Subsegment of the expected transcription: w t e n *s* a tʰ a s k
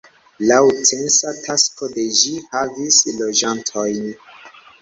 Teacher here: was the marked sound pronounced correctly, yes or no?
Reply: yes